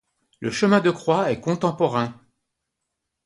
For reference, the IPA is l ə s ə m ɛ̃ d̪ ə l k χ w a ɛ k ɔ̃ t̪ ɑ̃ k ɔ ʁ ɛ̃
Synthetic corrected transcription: l ə ʃ ə m ɛ̃ d̪ ə k χ w a ɛ k ɔ̃ t̪ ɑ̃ p ɔ ʁ ɛ̃